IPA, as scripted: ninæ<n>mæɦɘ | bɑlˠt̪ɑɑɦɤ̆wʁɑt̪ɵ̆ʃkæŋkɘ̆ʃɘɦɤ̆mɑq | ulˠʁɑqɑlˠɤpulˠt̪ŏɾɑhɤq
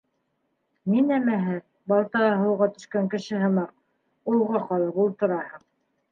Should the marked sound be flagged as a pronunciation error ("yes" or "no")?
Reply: yes